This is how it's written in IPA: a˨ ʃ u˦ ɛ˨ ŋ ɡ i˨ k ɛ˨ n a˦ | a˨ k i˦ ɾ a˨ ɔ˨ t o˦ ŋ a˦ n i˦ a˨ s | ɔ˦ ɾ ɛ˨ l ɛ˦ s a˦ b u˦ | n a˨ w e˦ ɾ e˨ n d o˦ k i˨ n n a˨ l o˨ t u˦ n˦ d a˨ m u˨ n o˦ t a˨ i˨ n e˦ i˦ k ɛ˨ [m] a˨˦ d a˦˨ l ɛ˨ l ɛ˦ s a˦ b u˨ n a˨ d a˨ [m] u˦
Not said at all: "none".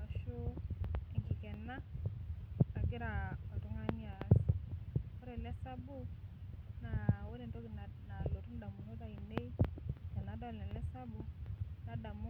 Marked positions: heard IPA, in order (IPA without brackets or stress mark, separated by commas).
n, m